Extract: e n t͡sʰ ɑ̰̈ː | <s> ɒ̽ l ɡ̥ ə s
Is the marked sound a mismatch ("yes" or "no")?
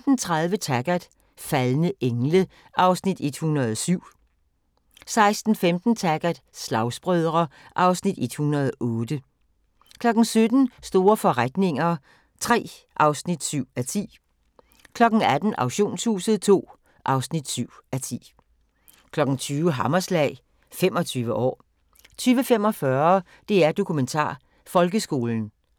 yes